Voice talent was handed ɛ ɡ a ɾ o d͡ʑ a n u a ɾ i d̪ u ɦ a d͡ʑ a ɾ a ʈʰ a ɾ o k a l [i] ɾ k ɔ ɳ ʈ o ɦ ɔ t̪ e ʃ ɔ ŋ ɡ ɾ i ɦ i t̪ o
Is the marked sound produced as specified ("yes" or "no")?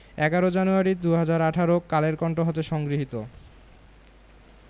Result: no